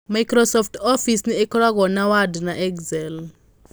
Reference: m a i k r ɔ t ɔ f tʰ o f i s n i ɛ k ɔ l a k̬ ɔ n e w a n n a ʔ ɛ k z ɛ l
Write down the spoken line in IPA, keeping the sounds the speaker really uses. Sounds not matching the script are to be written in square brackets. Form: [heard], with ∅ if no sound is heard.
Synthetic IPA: m a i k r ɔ [s] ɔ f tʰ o f i s n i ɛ k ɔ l a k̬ ɔ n [a] w a [d] n a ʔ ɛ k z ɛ l